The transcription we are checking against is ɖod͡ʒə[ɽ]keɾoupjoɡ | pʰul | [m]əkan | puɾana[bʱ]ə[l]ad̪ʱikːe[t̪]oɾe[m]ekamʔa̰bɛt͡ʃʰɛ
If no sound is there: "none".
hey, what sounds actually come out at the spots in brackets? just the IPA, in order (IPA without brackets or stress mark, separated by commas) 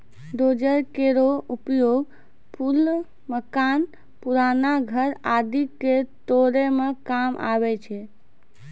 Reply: ɾ, m, ɡʱ, ɾ, t̪, m